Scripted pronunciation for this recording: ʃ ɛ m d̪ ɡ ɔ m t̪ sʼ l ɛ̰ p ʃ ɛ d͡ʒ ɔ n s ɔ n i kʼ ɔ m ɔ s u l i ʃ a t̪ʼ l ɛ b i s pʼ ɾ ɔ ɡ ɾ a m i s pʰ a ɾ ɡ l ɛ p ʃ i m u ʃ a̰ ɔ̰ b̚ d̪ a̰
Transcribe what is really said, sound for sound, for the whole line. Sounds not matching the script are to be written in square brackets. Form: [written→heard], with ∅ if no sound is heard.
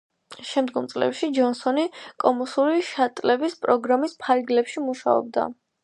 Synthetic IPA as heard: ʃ ɛ m d̪ ɡ ɔ m t̪ sʼ l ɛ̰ p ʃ [ɛ→i] d͡ʒ ɔ n s ɔ n i kʼ ɔ m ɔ s u [l→ɾ] i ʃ a t̪ʼ l ɛ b i s pʼ ɾ ɔ ɡ ɾ a m i s pʰ a ɾ ɡ l ɛ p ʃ i m u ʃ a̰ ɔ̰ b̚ d̪ a̰